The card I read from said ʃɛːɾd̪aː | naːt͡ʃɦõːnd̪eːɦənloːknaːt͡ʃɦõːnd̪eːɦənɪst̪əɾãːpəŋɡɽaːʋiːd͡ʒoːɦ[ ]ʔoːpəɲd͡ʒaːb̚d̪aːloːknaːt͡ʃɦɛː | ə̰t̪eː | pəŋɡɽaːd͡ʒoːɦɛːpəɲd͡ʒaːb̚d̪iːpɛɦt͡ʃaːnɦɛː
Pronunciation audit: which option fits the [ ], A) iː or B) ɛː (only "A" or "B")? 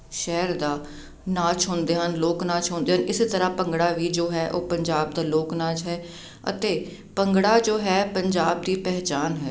B